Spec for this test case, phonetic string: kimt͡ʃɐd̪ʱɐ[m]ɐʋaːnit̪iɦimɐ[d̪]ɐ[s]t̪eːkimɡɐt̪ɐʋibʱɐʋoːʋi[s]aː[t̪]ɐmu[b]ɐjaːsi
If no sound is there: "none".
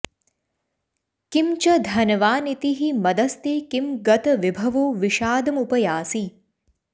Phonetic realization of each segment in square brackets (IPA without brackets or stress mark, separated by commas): n, d̪, s, ʃ, d̪, p